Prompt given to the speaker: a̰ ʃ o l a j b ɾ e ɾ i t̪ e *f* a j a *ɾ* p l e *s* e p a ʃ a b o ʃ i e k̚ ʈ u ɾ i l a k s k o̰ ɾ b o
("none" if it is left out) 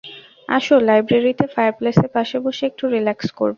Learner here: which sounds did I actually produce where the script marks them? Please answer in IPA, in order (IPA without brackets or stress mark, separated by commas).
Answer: f, ɾ, s